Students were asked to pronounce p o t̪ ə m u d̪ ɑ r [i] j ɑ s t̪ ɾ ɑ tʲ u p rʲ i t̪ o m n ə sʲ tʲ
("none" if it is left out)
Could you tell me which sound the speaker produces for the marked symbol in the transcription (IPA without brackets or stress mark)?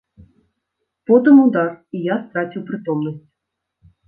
i